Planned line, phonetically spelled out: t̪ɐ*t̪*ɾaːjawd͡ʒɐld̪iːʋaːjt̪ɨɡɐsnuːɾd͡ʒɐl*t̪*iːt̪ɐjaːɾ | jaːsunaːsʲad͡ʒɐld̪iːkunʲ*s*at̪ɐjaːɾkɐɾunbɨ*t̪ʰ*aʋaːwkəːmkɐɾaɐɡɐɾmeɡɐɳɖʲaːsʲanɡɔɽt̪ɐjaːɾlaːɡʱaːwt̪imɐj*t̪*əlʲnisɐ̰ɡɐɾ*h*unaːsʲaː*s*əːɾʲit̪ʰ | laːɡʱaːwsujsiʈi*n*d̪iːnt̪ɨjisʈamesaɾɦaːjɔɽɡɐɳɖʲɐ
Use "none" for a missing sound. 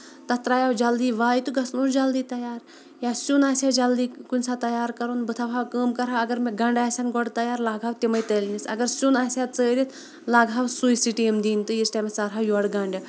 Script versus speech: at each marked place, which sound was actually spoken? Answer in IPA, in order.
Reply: t̪, d̪, s, t̪ʰ, t̪, s, t͡s, m

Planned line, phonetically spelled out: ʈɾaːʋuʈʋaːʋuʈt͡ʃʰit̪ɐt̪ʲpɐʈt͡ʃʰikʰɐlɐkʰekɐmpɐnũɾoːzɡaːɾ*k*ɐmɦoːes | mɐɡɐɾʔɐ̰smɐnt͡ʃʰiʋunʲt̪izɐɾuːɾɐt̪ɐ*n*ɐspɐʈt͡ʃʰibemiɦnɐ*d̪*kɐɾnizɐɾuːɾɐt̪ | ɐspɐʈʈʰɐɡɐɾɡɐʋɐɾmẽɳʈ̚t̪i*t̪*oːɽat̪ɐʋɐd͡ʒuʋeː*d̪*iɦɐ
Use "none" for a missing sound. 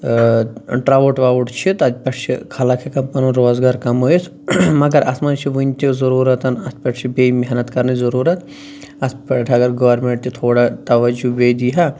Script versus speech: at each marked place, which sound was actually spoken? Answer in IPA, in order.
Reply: k, n, t̪, t̪ʰ, d̪

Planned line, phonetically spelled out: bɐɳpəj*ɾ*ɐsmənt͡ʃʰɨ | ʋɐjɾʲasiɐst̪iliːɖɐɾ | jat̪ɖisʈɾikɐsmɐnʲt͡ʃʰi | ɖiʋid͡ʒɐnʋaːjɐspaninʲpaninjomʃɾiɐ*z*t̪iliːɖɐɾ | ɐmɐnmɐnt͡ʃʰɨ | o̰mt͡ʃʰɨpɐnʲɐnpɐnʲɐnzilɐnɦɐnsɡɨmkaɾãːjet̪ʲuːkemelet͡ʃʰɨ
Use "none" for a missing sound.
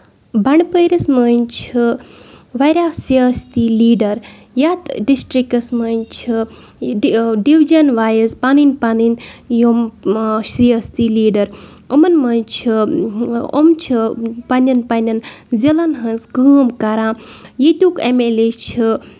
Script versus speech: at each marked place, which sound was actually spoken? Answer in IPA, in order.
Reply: ɾ, s

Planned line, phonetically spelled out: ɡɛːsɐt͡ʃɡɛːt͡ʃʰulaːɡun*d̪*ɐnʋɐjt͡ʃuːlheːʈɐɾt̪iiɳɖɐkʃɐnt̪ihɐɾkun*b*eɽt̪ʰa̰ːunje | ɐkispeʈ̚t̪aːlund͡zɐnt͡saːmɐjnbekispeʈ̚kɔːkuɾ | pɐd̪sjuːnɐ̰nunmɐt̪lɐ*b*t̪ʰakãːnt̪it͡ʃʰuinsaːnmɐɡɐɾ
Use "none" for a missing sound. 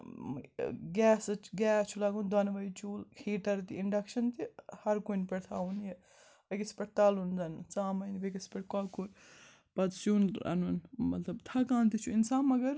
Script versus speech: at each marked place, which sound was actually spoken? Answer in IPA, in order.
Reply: d̪, p, b

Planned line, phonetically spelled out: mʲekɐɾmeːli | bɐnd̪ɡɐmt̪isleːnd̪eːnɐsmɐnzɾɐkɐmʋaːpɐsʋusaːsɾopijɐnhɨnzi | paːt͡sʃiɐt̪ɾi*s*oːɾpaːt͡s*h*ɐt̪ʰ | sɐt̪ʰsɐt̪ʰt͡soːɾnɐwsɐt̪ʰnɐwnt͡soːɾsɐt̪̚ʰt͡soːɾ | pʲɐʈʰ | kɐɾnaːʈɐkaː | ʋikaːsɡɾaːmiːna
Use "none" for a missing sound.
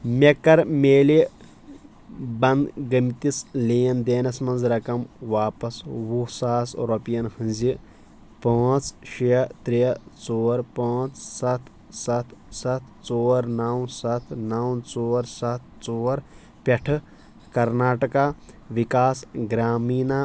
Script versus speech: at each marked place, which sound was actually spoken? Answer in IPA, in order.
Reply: t͡s, s

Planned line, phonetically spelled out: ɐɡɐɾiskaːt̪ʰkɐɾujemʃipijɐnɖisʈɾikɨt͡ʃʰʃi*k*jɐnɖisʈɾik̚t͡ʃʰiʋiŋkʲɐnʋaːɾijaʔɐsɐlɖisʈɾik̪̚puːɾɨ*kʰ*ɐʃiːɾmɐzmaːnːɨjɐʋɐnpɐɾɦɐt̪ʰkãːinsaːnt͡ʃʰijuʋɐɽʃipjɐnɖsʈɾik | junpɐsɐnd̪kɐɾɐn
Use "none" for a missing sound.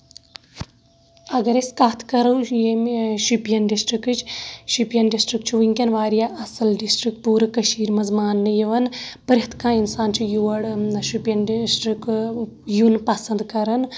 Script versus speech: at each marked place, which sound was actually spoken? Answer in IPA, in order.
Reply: p, k

